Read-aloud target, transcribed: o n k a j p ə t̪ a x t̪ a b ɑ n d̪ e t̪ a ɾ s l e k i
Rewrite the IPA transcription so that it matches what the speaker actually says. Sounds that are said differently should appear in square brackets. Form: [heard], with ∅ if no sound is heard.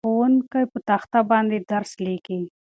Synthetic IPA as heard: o n k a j p ə t̪ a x t̪ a b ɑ n d̪ e [d̪] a ɾ s l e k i